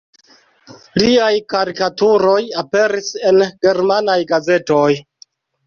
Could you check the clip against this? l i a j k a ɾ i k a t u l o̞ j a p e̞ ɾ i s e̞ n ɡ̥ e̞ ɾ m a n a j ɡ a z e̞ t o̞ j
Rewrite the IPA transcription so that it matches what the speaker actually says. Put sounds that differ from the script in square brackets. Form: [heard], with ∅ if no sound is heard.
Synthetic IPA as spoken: l i a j k a ɾ i k a t u [ɾ] o̞ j a p e̞ ɾ i s e̞ n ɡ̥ e̞ ɾ m a n a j ɡ a z e̞ t o̞ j